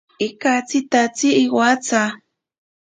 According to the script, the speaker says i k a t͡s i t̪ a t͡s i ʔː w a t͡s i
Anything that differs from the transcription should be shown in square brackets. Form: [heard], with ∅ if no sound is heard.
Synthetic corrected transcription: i k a t͡s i t̪ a t͡s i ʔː w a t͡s [a]